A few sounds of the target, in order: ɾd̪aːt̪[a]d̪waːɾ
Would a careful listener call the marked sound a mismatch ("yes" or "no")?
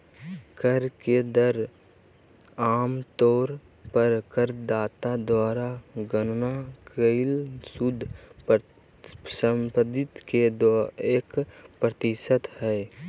no